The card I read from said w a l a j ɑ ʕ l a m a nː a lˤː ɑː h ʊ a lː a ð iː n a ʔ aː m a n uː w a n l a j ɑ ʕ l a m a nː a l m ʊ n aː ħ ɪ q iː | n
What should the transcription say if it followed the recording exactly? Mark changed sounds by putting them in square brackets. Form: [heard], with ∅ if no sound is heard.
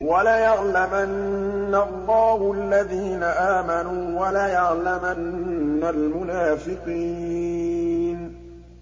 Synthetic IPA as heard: w a l a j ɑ ʕ l a m a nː a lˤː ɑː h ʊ a lː a ð iː n a ʔ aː m a n uː w a [∅] l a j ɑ ʕ l a m a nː a l m ʊ n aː [f] ɪ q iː | n